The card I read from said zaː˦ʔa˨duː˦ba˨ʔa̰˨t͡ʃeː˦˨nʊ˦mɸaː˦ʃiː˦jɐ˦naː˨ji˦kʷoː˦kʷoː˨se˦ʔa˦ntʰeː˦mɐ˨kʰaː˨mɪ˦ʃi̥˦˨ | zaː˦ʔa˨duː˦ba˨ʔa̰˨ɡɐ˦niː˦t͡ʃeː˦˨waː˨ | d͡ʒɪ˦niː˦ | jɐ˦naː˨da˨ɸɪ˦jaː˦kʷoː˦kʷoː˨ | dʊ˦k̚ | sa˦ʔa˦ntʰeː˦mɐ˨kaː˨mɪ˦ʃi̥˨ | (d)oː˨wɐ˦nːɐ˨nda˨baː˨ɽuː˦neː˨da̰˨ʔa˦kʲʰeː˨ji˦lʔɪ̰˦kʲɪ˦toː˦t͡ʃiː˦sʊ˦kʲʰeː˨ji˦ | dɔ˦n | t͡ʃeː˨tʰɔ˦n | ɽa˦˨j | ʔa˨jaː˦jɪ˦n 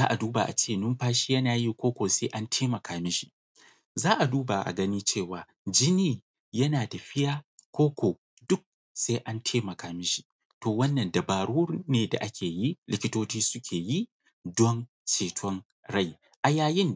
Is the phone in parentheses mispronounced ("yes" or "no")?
yes